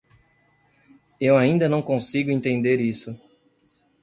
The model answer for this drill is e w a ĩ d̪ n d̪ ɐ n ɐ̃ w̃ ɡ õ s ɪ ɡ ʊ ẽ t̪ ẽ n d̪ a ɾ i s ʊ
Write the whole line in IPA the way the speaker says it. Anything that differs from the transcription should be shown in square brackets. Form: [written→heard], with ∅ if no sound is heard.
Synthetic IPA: e w a ĩ [d̪→∅] n d̪ ɐ n ɐ̃ w̃ [ɡ→k] õ s [ɪ→i] ɡ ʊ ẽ t̪ ẽ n d̪ [a→e] ɾ i s ʊ